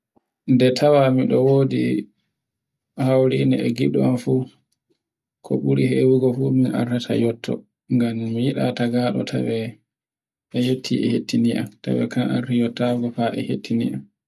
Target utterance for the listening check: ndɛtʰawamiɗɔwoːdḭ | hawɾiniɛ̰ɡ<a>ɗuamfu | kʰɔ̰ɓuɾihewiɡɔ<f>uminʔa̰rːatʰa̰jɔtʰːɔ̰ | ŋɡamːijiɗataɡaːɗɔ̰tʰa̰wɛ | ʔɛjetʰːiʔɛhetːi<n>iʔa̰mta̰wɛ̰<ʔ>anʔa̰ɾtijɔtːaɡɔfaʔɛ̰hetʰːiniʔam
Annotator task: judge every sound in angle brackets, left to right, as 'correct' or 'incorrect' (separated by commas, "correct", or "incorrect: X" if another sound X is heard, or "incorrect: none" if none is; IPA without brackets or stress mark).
incorrect: i, correct, correct, incorrect: k